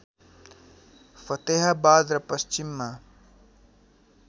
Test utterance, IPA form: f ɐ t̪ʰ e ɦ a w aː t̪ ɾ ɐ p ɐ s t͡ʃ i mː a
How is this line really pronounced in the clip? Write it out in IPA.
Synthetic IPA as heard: f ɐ t̪ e ɦ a b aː d̪ ɾ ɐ p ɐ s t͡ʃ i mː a